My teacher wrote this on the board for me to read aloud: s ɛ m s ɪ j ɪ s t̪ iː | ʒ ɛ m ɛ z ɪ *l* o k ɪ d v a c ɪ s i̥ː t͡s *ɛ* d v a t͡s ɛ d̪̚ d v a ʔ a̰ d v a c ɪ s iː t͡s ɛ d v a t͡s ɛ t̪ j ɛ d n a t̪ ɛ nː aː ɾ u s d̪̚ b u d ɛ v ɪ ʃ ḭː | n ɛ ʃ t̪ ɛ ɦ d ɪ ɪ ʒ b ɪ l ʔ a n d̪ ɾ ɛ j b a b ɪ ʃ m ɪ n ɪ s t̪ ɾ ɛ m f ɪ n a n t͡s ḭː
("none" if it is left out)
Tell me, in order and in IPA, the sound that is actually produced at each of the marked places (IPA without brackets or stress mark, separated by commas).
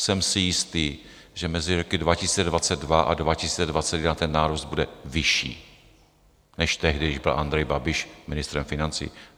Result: ɾ, ɛ